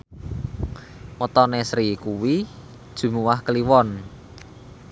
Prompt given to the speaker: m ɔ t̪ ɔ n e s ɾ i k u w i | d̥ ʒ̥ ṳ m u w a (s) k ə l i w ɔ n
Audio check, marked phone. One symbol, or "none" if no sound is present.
h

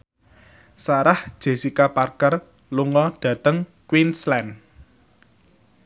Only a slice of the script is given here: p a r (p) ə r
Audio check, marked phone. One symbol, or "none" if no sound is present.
k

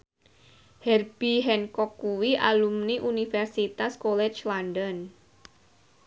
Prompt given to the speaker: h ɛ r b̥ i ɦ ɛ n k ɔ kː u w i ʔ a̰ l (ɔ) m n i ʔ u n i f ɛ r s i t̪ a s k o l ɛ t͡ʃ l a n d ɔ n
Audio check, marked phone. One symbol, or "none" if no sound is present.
u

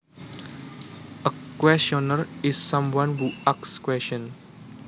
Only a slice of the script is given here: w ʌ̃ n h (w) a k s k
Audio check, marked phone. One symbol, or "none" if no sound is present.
u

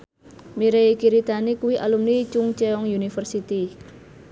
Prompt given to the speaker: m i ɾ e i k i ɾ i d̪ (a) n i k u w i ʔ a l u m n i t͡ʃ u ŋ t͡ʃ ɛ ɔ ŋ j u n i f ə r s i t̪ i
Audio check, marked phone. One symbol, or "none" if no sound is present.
a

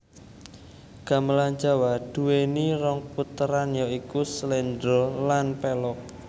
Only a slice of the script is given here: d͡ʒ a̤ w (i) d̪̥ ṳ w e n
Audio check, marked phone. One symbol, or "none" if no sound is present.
a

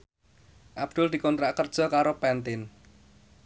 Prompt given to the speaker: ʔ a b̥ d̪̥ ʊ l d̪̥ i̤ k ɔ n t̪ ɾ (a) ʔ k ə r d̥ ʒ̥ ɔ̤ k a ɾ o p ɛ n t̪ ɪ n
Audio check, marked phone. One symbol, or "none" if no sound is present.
a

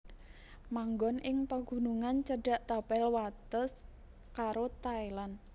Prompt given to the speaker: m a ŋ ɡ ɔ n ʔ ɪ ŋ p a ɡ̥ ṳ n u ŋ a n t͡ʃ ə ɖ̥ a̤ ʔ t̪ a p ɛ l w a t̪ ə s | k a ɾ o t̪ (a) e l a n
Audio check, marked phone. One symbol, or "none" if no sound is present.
a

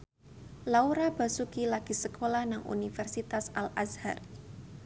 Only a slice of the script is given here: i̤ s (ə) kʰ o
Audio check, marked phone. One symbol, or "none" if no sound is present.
ə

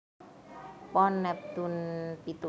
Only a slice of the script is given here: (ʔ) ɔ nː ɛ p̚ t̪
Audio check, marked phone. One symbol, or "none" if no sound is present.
p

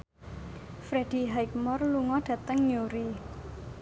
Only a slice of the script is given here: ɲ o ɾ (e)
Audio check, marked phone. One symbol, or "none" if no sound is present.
i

